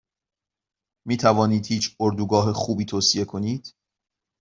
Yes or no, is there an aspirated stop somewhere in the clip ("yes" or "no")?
yes